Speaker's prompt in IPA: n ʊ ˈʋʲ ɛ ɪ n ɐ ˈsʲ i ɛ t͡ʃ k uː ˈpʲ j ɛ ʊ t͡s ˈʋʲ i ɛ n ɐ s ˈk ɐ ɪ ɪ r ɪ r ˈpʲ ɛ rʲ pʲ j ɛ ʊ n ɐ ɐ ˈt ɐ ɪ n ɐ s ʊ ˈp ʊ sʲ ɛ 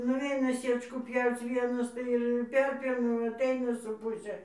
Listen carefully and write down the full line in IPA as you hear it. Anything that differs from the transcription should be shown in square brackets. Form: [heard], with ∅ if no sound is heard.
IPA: n ʊ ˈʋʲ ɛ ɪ n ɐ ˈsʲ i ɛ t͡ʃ k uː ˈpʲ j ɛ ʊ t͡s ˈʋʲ i ɛ n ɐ s [ˈt] ɐ ɪ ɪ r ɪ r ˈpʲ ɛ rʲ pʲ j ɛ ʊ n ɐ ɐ ˈt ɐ ɪ n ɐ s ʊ ˈp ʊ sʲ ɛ